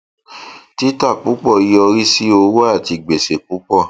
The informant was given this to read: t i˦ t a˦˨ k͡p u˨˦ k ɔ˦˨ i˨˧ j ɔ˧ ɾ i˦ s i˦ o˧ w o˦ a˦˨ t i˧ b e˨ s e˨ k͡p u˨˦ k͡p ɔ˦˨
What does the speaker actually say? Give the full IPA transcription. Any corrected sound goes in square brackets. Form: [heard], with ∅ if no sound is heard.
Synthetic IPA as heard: t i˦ t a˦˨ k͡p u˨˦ [k͡p] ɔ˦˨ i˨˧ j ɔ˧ ɾ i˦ s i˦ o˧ w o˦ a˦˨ t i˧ [ɡ͡b] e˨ s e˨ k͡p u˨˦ k͡p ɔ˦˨